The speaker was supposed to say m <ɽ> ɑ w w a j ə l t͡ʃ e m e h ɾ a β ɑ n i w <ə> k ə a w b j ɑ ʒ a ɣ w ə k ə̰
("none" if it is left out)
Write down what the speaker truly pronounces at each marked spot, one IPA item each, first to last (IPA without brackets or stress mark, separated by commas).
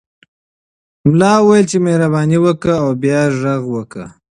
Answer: l, ə